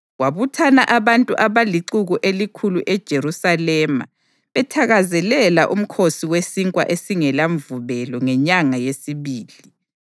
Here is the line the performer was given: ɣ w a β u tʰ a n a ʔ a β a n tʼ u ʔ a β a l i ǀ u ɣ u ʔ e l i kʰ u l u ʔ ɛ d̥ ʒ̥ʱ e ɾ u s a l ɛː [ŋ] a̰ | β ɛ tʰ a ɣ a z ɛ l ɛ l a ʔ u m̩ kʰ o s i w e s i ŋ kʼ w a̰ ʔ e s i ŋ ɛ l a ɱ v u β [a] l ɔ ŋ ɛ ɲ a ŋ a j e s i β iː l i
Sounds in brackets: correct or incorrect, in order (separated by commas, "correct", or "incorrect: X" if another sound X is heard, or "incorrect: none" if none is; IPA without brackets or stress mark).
incorrect: m, incorrect: ɛ